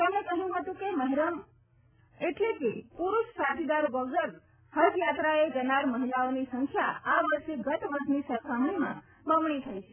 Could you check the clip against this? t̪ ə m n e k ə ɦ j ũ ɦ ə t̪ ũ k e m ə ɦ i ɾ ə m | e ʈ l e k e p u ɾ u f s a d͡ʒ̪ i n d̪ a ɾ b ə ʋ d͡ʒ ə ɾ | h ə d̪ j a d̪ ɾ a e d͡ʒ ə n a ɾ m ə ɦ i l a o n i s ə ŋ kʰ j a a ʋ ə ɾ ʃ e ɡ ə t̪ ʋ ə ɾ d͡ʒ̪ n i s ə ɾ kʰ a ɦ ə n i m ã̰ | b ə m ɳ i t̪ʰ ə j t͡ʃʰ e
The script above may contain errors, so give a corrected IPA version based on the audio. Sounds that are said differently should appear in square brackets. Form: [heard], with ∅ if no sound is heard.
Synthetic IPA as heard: t̪ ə m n e k ə ɦ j ũ ɦ ə t̪ ũ k e m ə ɦ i ɾ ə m | e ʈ l e k e p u ɾ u [ʃ] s a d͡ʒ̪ i [∅] d̪ a ɾ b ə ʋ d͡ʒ ə ɾ | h ə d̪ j a [t̪] ɾ a e d͡ʒ ə n a ɾ m ə ɦ i l a o n i s ə ŋ kʰ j a a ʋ ə ɾ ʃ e ɡ ə t̪ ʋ ə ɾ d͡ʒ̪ n i s ə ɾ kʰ a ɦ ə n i m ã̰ | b ə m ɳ i t̪ʰ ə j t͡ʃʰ e